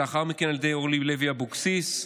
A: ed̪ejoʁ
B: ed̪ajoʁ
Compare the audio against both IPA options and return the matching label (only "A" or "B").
A